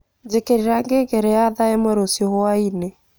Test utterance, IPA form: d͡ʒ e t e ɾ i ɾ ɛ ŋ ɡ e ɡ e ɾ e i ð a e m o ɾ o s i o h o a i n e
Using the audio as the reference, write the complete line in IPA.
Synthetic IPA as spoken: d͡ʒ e k e ɾ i ɾ a ŋ ɡ e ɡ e ɾ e a ð a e m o ɾ o s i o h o a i n e